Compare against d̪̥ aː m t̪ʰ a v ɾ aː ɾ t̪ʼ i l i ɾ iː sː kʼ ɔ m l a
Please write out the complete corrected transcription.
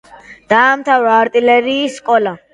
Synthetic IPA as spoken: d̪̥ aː m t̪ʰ a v ɾ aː ɾ t̪ʼ i l ɛ ɾ iː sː kʼ ɔ l a